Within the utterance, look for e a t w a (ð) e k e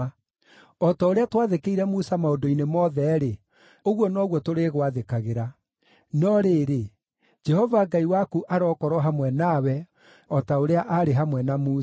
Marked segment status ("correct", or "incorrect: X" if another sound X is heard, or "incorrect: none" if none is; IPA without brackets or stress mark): correct